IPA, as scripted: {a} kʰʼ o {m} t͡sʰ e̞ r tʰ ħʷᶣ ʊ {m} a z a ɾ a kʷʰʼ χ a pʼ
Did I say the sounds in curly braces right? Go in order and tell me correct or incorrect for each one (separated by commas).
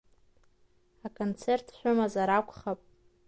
correct, incorrect, correct